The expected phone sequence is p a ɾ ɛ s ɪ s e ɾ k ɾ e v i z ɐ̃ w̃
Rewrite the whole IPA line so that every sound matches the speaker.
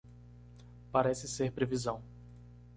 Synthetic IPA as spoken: p a ɾ ɛ s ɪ s e ɾ p ɾ e v i z ɐ̃ w̃